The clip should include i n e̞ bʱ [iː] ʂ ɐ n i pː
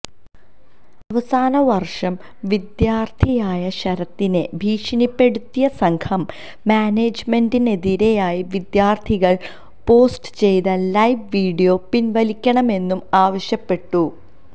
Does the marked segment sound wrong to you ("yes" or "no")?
no